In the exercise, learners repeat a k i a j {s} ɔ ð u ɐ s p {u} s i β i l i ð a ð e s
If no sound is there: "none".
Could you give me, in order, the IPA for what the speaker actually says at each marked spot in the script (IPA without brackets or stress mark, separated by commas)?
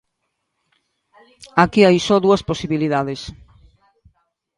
s, o